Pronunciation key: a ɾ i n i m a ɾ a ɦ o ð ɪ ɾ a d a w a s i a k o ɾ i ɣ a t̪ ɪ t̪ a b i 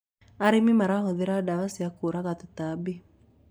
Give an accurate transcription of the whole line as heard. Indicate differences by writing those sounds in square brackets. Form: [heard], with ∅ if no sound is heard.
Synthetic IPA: a ɾ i [m] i m a ɾ a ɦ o ð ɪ ɾ a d a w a s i a k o ɾ [a] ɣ a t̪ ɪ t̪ a b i